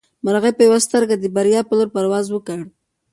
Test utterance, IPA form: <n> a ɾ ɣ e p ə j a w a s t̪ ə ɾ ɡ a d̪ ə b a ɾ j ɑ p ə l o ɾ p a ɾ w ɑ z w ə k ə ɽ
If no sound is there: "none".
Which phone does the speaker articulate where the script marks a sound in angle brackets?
m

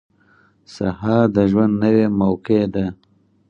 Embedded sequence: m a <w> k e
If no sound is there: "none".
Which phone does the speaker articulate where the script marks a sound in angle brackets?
w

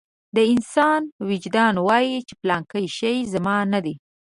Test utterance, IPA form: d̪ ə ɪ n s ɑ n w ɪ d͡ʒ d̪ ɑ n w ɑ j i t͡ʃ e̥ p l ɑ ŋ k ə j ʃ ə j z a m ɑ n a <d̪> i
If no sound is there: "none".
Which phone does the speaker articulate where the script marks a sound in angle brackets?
d̪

